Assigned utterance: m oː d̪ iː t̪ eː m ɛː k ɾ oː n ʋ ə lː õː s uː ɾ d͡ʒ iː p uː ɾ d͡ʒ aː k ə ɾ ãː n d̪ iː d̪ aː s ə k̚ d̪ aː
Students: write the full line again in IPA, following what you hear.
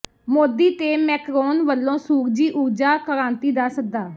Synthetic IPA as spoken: m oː d̪ iː t̪ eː m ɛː k ɾ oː n ʋ ə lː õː s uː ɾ d͡ʒ iː ʔ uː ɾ d͡ʒ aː k ə ɾ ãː n t̪ iː d̪ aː s ə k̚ d̪ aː